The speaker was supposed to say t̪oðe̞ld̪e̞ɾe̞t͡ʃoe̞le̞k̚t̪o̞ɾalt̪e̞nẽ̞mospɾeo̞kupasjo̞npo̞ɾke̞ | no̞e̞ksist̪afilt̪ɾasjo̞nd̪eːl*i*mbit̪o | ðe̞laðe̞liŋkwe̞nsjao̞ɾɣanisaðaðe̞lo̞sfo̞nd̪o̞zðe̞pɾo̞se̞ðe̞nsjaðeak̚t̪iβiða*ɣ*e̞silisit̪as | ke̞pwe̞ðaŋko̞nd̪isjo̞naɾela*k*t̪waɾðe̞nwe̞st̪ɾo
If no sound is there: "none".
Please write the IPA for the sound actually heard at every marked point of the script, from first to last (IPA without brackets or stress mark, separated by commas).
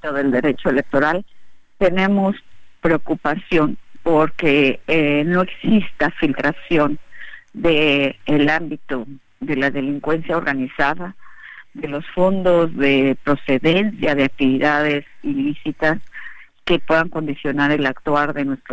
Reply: a, ð, k